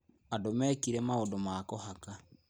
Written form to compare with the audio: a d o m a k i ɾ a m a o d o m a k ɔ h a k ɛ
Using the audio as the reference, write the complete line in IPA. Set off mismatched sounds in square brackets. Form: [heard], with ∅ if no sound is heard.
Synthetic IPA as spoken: a d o m [ɛ] k i ɾ [ɛ] m a o d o m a k ɔ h a k [a]

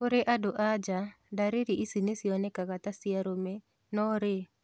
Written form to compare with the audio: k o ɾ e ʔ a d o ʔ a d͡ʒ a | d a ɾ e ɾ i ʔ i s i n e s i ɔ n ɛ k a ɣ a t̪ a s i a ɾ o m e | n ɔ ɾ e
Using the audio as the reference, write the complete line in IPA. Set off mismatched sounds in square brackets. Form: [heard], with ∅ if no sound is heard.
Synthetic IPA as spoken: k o ɾ e ʔ a d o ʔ a d͡ʒ a | d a ɾ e ɾ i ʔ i s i n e s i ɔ n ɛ k a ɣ a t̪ a s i a ɾ o m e | n ɔ ɾ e

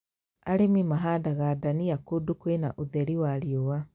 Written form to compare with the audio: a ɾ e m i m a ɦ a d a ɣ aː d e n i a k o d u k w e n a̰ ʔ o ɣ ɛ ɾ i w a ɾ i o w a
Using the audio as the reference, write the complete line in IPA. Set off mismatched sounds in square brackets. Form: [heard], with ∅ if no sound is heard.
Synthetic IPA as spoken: a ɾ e m i m a ɦ a d a ɣ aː d [a] n i a k o d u k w e n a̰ ʔ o [ð] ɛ ɾ i w a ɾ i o w a

